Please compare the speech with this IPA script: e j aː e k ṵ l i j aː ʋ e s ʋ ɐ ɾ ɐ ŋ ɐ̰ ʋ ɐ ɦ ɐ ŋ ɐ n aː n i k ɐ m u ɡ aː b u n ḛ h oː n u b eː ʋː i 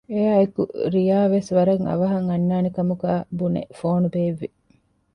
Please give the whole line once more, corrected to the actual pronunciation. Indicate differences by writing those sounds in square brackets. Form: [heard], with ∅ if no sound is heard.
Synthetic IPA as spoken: e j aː e k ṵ [ɾ] i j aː ʋ e s ʋ ɐ ɾ ɐ ŋ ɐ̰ ʋ ɐ ɦ ɐ ŋ ɐ [nː] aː n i k ɐ m u ɡ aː b u n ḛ [f] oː n u b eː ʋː i